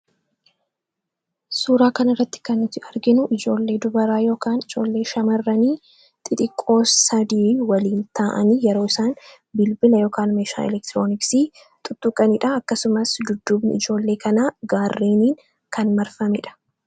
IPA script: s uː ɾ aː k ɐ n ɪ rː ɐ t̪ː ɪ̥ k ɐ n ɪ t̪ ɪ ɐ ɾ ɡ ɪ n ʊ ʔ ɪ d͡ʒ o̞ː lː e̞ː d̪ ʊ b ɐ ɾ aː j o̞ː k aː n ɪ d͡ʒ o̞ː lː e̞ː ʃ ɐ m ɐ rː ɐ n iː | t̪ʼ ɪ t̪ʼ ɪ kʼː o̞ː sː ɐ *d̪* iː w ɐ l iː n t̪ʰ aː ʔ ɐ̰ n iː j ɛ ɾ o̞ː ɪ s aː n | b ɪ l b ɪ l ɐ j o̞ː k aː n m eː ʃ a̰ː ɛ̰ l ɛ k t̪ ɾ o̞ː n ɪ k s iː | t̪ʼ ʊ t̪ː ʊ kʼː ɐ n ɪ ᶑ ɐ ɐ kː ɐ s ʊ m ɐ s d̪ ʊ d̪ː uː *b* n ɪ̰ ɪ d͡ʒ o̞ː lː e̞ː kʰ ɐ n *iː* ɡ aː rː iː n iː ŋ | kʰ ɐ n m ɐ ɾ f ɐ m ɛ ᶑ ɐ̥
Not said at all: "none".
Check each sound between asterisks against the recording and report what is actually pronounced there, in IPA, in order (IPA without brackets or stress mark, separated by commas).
d̪, b, aː